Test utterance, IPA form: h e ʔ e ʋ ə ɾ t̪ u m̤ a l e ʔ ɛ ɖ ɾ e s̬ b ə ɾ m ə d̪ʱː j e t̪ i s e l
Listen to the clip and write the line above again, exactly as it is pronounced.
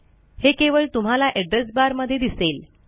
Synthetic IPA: h e k e ʋ ə ɭ t̪ u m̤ a l a ʔ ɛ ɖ ɾ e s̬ b a ɾ m ə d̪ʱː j e d̪ i s e l